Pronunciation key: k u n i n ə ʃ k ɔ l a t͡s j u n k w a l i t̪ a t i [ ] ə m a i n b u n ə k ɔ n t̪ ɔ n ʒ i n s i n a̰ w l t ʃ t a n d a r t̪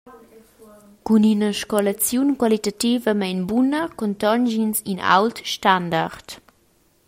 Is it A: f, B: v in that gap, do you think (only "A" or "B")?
B